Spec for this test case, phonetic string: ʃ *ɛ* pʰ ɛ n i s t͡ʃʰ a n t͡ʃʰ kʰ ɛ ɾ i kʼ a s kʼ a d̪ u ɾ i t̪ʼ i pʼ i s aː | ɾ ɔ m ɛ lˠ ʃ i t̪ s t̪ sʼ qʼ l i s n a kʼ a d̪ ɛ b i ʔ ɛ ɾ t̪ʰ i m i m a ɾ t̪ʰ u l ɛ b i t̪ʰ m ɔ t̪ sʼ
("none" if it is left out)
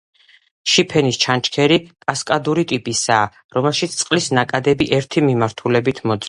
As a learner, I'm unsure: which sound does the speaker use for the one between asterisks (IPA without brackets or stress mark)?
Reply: i